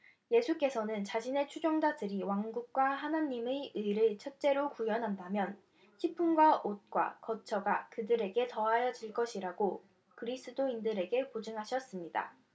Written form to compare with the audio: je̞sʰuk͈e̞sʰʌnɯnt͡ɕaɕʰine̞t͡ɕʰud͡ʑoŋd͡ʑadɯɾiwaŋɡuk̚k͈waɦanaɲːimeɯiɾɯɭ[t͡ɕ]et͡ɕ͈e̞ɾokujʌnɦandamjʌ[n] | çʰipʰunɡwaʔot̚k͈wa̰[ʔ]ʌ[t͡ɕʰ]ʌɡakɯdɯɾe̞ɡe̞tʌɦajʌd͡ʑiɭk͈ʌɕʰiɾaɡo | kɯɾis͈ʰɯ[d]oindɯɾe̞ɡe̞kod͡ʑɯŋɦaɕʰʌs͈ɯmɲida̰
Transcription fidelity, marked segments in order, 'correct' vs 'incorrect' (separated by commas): incorrect, correct, incorrect, correct, correct